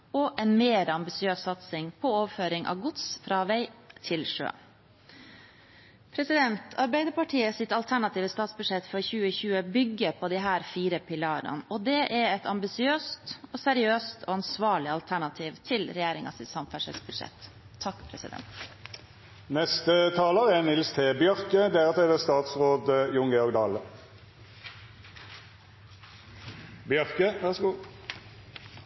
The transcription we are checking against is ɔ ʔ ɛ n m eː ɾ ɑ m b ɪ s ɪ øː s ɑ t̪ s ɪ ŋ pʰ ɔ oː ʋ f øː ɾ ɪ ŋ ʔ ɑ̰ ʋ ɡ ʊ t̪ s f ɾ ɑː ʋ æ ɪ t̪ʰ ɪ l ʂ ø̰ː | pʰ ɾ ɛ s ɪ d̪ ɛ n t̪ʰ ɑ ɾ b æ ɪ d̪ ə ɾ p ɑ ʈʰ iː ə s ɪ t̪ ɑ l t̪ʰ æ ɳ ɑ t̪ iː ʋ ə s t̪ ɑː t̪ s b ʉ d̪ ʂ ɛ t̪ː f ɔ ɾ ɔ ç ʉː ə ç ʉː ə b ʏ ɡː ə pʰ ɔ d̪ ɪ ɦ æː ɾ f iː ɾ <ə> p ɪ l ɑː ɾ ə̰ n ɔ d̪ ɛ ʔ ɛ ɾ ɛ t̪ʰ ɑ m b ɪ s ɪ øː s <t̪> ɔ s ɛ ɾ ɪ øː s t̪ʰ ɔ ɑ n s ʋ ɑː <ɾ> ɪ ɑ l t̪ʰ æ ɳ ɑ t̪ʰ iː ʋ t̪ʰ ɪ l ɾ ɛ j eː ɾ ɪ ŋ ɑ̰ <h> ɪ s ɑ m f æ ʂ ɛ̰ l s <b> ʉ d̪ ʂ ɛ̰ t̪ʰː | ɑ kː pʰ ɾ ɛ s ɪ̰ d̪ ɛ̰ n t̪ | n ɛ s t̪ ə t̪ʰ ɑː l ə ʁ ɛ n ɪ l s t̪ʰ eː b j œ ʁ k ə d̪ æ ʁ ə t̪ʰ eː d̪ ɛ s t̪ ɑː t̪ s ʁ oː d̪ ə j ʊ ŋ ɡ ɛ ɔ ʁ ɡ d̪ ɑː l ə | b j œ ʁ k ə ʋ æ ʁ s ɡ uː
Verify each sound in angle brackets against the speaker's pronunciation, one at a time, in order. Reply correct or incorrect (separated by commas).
correct, correct, incorrect, incorrect, correct